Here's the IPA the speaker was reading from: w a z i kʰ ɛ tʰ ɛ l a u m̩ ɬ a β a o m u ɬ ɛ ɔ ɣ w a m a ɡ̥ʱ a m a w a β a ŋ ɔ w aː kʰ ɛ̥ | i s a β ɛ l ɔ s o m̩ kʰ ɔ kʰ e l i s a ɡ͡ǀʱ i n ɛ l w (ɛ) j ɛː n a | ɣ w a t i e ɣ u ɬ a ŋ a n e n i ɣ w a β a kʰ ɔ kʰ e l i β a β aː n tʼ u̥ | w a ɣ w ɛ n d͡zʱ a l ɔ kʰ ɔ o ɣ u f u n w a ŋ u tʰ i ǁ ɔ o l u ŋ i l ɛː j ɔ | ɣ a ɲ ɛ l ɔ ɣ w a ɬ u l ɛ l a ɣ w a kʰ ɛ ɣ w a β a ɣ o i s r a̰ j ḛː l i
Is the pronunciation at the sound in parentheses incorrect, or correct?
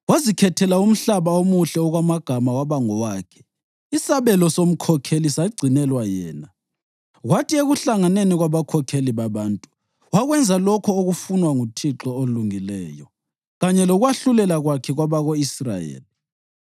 incorrect